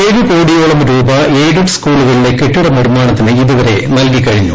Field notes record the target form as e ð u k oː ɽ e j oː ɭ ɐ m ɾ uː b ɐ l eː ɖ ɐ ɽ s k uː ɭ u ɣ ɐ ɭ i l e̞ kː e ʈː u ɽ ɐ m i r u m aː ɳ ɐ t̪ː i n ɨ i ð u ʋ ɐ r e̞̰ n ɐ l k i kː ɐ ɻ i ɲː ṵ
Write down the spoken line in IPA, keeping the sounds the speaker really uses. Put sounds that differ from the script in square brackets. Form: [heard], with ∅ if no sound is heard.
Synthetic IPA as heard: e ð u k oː ɽ [i] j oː ɭ ɐ m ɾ uː b ɐ l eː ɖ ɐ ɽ s k uː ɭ u ɣ ɐ ɭ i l e̞ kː e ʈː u ɽ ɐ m i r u m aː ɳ ɐ t̪ː i n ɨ i ð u ʋ ɐ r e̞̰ n ɐ l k i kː ɐ ɻ i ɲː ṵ